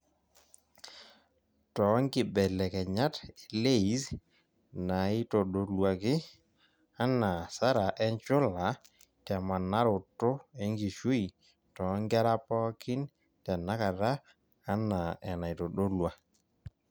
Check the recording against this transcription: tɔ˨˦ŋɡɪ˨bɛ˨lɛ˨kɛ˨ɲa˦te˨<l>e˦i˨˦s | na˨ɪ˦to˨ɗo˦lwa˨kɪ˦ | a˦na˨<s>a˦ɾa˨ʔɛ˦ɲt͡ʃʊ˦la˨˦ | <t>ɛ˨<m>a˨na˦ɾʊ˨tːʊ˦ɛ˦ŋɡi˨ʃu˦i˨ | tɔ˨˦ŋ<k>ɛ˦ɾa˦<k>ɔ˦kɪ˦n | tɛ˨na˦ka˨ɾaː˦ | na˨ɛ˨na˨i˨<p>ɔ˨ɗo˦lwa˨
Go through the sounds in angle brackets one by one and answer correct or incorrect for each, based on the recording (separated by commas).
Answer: correct, correct, correct, correct, incorrect, incorrect, incorrect